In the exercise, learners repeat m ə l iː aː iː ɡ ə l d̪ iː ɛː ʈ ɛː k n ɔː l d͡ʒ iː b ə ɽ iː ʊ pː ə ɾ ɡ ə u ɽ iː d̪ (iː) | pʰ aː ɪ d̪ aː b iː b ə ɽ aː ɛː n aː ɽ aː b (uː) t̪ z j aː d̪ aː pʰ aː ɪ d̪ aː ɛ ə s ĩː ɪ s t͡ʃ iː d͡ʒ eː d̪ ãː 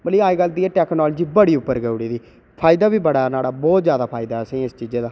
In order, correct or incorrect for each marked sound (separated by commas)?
correct, incorrect